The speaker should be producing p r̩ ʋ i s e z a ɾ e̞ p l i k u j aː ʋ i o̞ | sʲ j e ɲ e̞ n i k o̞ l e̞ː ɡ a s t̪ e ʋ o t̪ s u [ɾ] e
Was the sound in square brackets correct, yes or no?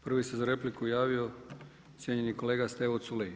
no